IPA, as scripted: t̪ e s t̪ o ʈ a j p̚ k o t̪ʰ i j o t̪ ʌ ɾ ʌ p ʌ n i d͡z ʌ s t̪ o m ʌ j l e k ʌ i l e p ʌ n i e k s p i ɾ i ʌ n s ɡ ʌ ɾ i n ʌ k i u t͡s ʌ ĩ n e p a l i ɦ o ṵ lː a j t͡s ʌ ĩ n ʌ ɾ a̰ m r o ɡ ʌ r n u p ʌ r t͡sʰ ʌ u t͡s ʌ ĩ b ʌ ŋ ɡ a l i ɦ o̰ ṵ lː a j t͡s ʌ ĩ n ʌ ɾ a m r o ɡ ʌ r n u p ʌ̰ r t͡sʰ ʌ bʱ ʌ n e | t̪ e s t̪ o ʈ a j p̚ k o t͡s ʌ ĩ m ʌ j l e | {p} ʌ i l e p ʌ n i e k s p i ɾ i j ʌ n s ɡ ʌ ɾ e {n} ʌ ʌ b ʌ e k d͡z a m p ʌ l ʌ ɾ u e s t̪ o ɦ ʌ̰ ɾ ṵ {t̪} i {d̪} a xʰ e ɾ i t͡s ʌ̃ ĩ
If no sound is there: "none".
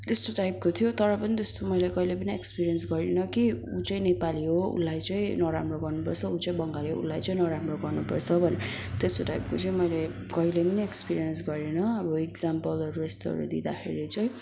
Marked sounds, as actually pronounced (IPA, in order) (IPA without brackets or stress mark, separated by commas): k, n, d̪, d̪